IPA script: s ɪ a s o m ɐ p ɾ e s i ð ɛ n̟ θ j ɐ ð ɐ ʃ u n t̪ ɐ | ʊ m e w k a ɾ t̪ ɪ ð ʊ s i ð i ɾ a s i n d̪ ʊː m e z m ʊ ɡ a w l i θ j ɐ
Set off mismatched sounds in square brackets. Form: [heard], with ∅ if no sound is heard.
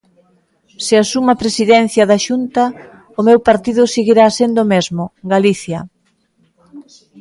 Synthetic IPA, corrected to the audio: s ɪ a s [u] m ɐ p ɾ e s i ð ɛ n̟ θ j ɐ ð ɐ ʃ u n t̪ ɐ | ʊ m e w [p] a ɾ t̪ [i] ð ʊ s i [ɣ] i ɾ a s [e] n d̪ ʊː m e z m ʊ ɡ a [∅] l i θ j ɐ